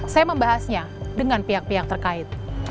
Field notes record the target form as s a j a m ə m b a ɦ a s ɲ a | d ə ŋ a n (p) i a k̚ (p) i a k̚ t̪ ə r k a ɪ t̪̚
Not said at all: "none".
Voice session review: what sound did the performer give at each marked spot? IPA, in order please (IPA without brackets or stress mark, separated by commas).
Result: p, p